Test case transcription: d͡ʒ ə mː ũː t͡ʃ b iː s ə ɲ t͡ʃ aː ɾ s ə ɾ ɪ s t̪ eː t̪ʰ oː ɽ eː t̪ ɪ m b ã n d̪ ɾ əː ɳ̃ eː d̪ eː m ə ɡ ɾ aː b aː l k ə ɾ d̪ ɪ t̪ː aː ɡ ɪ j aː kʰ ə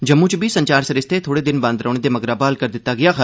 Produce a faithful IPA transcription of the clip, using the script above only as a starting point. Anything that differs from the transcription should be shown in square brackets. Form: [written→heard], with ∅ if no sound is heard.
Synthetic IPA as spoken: d͡ʒ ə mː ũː t͡ʃ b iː s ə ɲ t͡ʃ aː ɾ s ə ɾ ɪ s t̪ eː t̪ʰ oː ɽ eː [t̪→d̪] ɪ [m→n] b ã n d̪ ɾ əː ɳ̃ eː d̪ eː m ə ɡ ɾ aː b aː l k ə ɾ d̪ ɪ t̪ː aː ɡ ɪ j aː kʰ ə